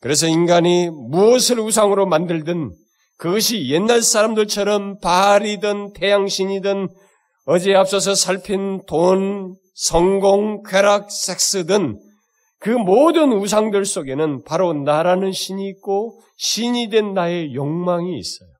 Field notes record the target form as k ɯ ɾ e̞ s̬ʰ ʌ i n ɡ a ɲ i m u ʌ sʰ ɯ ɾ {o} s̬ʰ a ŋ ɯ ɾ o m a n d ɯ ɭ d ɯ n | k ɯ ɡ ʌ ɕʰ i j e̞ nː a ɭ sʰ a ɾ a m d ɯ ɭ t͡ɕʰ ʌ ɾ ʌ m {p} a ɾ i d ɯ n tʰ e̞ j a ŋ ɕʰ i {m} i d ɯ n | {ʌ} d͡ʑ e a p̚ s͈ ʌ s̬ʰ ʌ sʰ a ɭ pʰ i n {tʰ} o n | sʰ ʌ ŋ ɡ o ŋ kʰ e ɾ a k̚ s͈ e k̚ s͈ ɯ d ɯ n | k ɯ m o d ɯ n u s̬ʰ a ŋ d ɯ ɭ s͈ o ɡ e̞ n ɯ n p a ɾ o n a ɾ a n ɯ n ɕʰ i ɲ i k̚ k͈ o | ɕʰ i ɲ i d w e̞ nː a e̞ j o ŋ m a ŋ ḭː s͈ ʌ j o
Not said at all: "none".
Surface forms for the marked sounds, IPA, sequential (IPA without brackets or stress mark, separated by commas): u, p, ɲ, ʌ, t